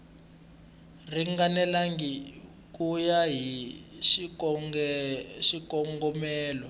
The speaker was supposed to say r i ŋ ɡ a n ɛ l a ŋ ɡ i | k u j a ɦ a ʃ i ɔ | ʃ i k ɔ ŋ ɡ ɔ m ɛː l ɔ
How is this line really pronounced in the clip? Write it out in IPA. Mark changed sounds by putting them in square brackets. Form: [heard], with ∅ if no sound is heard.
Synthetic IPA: r i ŋ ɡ a n ɛ l a ŋ ɡ i | k u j a ɦ [i] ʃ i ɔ | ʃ i k ɔ ŋ ɡ ɔ m ɛː l ɔ